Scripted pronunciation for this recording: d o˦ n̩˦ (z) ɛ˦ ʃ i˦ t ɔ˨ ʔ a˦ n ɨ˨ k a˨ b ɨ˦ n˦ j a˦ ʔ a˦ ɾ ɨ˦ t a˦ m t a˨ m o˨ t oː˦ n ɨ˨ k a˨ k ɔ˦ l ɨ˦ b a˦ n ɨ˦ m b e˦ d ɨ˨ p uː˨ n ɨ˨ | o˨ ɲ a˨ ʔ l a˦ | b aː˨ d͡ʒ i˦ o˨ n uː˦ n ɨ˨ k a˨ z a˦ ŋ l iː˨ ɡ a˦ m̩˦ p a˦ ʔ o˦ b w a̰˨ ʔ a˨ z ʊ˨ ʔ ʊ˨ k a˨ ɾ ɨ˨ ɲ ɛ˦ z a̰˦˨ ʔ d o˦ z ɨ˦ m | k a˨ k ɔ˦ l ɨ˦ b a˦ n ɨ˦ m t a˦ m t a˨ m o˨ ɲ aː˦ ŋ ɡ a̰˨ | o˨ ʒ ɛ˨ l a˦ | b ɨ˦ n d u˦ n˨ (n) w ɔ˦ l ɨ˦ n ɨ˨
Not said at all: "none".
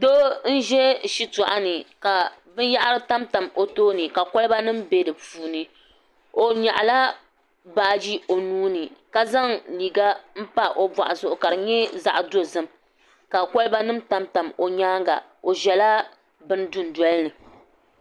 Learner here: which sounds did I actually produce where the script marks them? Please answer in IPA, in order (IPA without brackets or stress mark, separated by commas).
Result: ʒ, d